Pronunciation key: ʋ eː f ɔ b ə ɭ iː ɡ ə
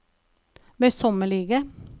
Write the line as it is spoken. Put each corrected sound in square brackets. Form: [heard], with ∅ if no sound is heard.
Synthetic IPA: ʋ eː [s] ɔ [m] ə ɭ iː ɡ ə